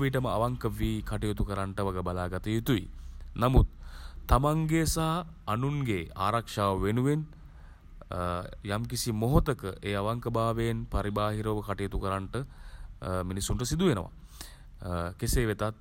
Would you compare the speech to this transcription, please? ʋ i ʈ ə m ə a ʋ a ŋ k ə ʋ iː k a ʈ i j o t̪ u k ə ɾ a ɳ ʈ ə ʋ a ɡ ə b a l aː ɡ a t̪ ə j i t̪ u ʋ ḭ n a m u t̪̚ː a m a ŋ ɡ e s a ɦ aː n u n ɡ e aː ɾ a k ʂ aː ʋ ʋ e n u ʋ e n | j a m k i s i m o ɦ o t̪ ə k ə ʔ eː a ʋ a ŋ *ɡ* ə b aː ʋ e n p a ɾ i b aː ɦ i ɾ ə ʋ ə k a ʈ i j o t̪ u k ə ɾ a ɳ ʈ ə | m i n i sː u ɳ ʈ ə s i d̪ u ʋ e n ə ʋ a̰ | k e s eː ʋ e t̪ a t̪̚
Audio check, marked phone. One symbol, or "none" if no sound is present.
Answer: k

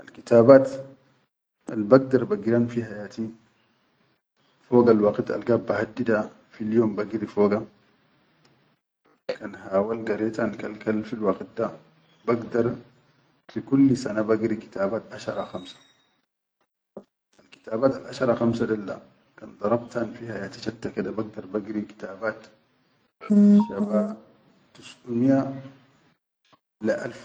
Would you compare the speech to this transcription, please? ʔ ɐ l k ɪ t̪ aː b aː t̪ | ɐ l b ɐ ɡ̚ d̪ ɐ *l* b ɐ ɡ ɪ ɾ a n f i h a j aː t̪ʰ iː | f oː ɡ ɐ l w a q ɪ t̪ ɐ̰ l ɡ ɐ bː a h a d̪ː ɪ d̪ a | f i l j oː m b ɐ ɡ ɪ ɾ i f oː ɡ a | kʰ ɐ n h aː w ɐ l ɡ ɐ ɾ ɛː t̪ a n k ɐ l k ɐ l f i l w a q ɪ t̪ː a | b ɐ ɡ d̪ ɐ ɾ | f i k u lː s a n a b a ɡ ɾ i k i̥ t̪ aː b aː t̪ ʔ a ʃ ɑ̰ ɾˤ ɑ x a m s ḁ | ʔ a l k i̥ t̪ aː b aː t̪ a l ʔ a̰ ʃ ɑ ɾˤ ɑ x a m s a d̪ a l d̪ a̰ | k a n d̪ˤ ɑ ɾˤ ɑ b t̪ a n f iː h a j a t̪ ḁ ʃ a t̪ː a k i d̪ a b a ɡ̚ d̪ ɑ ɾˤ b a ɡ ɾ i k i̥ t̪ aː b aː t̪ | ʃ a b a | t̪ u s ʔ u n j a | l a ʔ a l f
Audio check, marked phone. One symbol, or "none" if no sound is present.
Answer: ɾ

